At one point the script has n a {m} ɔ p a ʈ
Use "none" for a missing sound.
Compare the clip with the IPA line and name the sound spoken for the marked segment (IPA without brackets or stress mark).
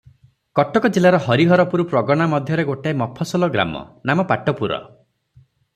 m